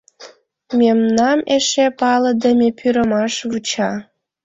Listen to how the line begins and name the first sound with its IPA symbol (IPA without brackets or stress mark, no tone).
m